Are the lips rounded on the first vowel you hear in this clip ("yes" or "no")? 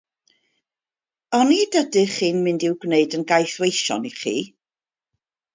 yes